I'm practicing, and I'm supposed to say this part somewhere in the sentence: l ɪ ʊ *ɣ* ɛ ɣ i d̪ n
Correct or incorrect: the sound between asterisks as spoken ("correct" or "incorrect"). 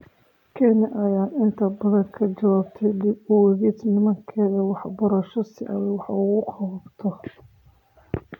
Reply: incorrect